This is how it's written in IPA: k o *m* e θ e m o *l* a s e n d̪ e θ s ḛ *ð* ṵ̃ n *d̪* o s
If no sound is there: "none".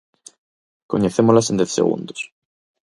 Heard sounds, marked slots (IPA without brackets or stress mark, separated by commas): ɲ, l, ɣ, d̪